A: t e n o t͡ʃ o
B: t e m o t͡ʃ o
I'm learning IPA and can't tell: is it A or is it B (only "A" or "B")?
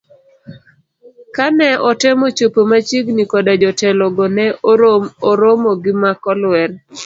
B